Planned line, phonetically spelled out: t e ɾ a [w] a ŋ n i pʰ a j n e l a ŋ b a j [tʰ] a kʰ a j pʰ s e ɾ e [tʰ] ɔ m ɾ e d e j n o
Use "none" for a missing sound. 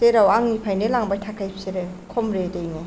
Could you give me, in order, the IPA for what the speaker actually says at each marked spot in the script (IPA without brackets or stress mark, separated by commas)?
w, tʰ, kʰ